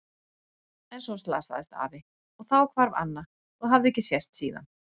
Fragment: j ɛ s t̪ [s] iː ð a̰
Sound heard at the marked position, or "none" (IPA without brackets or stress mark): s